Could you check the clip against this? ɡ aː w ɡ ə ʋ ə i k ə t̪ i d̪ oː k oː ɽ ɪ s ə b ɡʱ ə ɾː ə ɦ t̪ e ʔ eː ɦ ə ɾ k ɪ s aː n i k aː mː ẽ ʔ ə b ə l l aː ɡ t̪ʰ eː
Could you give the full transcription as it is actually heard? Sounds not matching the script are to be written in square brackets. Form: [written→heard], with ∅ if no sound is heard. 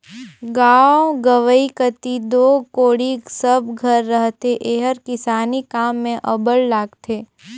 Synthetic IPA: ɡ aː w ɡ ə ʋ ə i k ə t̪ i d̪ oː k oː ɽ [ɪ→i] s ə b ɡʱ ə ɾː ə ɦ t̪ e ʔ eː ɦ ə ɾ k ɪ s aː n i k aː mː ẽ ʔ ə b ə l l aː ɡ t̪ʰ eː